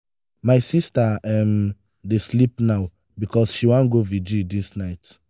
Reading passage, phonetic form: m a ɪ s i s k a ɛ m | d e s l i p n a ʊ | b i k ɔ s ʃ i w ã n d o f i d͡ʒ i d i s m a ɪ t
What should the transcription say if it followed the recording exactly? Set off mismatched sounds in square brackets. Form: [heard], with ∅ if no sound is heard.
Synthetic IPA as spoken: m a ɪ s i s [t] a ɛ m | d e s l i p n a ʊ | b i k ɔ s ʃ i w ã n [ɡ] o [v] i d͡ʒ i d i s [n] a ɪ t